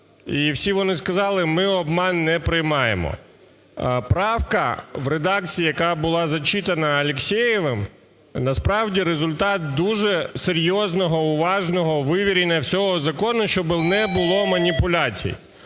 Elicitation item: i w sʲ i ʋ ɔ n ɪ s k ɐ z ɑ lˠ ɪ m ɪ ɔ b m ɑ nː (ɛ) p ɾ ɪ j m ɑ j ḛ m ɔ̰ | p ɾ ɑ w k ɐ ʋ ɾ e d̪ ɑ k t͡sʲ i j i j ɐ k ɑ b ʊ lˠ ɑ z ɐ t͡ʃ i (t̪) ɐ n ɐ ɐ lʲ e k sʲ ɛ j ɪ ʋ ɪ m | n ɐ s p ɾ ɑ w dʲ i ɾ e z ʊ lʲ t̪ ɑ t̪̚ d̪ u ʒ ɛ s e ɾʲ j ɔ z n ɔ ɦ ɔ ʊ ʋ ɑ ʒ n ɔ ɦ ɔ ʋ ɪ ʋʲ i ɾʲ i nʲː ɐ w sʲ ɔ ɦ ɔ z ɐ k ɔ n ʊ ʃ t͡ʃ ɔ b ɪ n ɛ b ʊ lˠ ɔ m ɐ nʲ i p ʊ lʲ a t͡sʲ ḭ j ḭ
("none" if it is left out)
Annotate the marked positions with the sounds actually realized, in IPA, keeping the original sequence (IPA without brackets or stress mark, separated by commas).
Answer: ɛ, t̪